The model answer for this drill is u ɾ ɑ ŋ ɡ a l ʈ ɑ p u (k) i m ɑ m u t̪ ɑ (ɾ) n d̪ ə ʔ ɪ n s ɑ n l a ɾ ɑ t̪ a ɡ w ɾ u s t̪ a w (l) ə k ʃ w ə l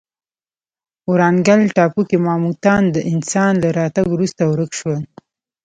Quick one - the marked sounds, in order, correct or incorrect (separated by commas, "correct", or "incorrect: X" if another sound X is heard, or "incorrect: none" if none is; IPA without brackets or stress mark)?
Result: correct, incorrect: none, incorrect: ɾ